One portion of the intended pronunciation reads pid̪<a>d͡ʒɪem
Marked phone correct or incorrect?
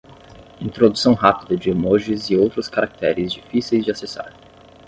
incorrect